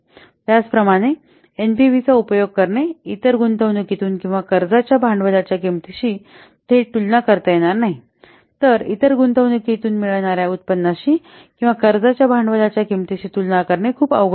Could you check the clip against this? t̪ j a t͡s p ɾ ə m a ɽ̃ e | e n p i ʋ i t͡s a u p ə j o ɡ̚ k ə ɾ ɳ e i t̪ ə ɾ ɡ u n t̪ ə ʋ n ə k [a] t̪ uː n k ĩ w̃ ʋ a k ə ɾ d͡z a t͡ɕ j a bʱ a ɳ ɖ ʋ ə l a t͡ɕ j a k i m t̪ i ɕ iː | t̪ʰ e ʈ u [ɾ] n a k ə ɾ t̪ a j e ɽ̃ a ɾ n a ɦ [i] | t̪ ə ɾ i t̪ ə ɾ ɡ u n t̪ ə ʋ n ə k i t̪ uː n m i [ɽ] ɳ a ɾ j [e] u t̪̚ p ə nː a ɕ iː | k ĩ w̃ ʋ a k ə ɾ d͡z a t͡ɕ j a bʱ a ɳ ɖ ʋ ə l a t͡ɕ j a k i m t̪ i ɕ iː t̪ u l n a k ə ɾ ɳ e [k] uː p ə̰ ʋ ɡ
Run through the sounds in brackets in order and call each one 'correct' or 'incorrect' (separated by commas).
incorrect, incorrect, correct, incorrect, incorrect, incorrect